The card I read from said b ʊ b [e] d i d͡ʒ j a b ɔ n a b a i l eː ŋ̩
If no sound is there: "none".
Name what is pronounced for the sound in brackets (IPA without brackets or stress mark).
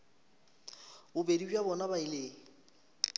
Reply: e